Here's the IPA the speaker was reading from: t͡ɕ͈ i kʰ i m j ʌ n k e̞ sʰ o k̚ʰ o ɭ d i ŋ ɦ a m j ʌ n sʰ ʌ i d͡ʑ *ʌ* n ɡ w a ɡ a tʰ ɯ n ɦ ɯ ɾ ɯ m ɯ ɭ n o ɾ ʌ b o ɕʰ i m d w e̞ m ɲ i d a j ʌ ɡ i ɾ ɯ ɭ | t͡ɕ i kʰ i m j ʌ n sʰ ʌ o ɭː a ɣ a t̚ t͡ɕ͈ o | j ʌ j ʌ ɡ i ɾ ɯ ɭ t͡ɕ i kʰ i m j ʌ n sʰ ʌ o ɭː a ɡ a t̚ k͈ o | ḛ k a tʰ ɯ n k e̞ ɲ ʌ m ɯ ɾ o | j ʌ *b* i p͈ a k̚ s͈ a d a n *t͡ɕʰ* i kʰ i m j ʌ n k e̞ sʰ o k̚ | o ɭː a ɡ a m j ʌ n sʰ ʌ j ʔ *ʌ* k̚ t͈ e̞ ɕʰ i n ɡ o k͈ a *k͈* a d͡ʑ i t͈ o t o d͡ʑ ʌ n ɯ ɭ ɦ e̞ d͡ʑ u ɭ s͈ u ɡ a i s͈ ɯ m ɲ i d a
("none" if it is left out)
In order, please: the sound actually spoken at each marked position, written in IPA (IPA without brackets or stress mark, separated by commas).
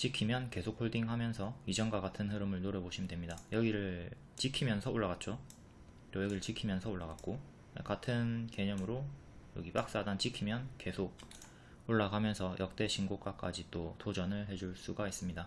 ʌ, ɡ, t͡ɕ, ʌ, k͈